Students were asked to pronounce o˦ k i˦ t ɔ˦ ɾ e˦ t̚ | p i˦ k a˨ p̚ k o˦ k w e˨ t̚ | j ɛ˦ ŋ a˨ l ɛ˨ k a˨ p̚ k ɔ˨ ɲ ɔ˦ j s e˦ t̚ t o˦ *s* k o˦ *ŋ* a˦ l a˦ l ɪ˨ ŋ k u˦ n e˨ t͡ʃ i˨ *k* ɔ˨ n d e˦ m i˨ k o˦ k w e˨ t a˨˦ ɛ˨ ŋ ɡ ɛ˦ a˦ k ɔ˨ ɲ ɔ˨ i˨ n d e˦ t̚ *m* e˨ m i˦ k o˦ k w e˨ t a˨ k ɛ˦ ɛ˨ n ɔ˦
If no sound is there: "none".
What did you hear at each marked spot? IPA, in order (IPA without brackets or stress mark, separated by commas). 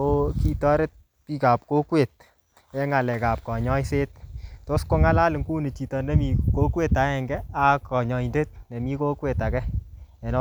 s, ŋ, t, n